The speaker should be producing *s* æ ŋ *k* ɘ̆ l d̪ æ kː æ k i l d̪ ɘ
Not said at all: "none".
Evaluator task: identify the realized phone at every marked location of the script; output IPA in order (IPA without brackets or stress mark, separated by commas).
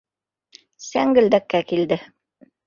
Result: s, ɡ